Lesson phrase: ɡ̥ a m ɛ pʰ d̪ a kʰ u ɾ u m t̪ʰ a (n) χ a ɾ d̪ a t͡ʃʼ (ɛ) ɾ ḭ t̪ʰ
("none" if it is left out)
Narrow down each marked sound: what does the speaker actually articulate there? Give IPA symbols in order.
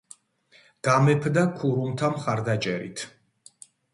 m, ɛ

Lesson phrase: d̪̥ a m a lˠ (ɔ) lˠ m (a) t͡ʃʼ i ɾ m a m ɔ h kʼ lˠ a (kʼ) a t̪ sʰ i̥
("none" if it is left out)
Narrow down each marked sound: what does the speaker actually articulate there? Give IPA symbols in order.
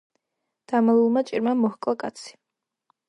u, a, kʼ

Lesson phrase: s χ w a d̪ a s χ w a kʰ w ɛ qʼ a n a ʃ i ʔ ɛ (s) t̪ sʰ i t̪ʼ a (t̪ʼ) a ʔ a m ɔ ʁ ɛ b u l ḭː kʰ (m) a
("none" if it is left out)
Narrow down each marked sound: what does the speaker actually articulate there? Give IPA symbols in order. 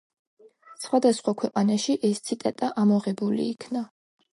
s, t̪ʼ, n

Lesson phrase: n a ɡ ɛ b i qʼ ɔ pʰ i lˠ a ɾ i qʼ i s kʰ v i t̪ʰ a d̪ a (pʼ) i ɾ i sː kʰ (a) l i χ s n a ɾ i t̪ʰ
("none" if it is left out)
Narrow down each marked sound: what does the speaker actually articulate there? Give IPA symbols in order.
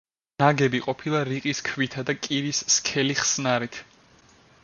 kʼ, ɛ

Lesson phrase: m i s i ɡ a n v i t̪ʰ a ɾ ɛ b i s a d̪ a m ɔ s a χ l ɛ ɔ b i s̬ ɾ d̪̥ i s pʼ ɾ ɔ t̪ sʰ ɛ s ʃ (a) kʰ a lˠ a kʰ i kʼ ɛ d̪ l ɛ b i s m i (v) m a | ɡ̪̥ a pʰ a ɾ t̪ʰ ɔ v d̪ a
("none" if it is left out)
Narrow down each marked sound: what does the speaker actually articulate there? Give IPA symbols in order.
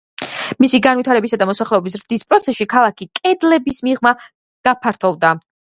i, ʁ

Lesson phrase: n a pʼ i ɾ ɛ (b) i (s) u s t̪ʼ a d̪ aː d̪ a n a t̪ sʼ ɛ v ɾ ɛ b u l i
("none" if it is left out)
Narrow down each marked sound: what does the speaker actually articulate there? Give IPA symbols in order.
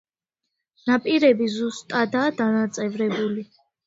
b, z

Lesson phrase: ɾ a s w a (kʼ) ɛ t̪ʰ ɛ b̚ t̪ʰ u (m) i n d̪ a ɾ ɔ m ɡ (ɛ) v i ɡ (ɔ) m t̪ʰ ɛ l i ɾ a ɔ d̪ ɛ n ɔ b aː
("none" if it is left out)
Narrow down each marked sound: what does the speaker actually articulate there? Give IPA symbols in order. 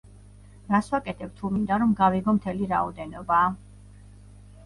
kʼ, m, a, ɔ

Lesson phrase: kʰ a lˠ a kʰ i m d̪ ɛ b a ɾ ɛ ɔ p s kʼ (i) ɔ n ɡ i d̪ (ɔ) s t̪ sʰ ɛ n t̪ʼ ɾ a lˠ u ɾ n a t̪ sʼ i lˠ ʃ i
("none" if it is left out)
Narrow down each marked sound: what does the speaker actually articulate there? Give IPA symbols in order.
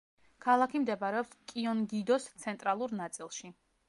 i, ɔ

